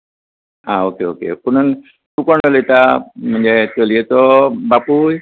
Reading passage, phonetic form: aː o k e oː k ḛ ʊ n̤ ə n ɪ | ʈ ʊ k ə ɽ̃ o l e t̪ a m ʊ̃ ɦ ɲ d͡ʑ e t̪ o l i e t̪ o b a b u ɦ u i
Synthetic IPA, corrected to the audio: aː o k e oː k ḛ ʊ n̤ ə n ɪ | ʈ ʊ k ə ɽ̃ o l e t̪ a m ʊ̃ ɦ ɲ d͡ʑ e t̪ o l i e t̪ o b a p u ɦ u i